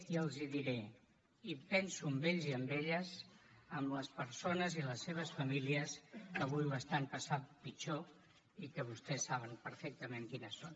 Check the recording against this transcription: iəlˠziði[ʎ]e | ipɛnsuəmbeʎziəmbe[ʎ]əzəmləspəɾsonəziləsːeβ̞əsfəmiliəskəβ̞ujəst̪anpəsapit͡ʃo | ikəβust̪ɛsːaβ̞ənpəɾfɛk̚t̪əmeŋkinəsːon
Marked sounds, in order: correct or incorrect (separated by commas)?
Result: incorrect, correct